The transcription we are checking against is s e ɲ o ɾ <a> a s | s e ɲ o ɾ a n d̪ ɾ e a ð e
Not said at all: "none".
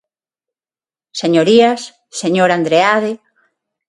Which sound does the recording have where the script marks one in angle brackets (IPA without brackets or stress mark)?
i